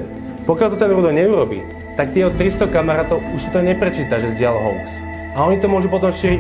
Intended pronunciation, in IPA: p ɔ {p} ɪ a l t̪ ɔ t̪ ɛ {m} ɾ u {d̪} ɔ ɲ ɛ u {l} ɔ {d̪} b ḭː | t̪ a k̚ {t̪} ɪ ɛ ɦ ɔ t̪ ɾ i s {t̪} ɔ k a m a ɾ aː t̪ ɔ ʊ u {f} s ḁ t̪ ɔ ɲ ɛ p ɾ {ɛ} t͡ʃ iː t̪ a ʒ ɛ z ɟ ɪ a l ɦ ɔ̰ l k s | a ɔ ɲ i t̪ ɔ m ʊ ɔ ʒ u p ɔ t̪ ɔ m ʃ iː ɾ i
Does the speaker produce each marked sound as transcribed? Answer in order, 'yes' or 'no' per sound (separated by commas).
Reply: no, no, yes, no, no, yes, yes, no, yes